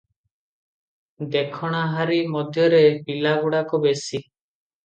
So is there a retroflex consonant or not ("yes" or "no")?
yes